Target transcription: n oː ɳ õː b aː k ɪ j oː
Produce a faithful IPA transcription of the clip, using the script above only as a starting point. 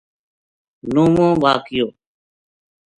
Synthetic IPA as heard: n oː m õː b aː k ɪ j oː

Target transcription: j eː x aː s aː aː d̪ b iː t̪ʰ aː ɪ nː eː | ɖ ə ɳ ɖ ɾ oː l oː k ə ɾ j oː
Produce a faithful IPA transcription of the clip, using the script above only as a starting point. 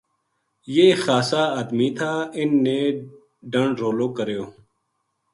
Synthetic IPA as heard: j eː x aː s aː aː d̪ m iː t̪ʰ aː ɪ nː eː | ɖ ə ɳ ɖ ɾ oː l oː k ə ɾ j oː

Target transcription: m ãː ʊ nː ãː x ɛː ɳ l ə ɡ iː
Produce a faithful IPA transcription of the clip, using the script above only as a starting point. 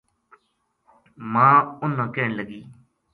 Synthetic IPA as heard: m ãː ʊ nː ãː k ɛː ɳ l ə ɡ iː

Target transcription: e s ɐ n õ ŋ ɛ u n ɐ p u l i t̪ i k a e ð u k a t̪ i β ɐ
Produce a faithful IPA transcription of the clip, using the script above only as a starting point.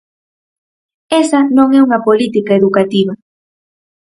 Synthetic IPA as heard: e s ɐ n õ ŋ ɛ u ŋ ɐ p o l i t̪ i k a e ð u k a t̪ i β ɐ

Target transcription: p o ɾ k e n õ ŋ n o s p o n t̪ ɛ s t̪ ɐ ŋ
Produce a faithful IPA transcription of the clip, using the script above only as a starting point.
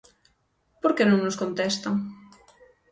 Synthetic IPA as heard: p o ɾ k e n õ ŋ n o s k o n t̪ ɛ s t̪ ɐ ŋ

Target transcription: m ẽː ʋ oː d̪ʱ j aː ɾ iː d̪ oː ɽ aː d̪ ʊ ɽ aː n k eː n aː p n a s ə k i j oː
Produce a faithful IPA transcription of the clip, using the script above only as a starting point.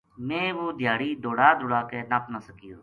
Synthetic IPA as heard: m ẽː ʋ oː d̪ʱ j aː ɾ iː d̪ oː ɽ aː d̪ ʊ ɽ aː k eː n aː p n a s ə k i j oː

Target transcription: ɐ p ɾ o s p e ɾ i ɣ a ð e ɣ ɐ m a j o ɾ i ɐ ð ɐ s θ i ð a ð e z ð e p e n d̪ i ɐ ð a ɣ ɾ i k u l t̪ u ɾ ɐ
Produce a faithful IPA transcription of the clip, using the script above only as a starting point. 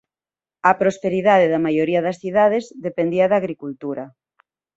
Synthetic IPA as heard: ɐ p ɾ o s p e ɾ i ð a ð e ð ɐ m a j o ɾ i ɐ ð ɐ s θ i ð a ð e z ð e p e n d̪ i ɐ ð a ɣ ɾ i k u l t̪ u ɾ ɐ

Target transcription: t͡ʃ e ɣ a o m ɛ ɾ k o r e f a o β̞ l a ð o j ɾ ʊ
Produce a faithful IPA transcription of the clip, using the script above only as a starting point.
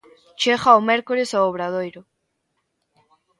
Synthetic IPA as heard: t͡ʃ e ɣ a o m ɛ ɾ k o ɾ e s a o β̞ ɾ a ð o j ɾ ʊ

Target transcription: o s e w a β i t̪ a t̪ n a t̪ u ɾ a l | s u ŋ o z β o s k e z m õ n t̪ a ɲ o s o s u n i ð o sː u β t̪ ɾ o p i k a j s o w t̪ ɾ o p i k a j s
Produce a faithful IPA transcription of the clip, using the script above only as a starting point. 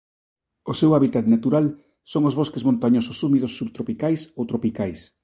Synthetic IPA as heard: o s e w a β i t̪ a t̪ n a t̪ u ɾ a l | s o ŋ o z β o s k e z m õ n t̪ a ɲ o s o s u m i ð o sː u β t̪ ɾ o p i k a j s o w t̪ ɾ o p i k a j s

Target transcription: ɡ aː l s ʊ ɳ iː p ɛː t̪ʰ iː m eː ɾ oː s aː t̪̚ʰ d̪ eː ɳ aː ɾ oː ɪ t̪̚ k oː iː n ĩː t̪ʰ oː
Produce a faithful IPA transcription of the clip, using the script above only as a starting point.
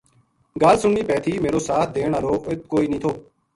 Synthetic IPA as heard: ɡ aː l s ʊ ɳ iː p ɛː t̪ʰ iː m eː ɾ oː s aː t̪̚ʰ d̪ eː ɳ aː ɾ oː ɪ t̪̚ k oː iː n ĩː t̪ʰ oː

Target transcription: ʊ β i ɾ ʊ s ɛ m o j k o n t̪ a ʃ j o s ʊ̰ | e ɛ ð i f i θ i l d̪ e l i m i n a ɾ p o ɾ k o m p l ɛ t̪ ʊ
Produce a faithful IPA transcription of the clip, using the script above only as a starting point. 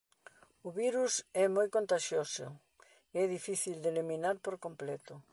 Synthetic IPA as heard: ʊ β i ɾ u s ɛ m o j k o n t̪ a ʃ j o s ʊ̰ | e ɛ ð i f i θ i l d̪ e l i m i n a ɾ p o ɾ k o m p l ɛ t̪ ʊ

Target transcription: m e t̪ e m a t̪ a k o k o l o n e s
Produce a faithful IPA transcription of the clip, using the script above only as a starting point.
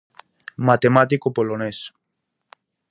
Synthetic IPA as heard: m a t̪ e m a t̪ i k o p o l o n e s

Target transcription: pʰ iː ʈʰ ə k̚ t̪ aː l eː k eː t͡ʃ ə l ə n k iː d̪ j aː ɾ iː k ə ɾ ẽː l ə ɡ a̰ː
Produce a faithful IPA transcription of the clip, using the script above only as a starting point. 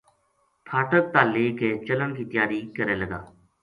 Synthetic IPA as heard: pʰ aː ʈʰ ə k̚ t̪ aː l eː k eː t͡ʃ ə l ə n k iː t̪ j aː ɾ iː k ə ɾ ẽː l ə ɡ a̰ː

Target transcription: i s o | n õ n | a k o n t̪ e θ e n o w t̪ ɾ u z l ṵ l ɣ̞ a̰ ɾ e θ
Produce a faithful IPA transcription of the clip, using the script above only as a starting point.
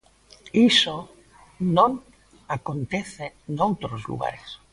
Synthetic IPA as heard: i s o | n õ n | a k o n t̪ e θ e n o w t̪ ɾ o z l ṵ ɣ̞ a̰ ɾ e s

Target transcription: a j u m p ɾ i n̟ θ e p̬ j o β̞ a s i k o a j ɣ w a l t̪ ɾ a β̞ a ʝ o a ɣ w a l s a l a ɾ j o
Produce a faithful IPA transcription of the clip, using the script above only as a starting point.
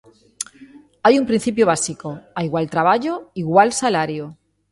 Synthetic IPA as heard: a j u m p ɾ i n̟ θ i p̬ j o β̞ a s i k o a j ɣ w a l t̪ ɾ a β̞ a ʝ o i ɣ w a l s a l a ɾ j o

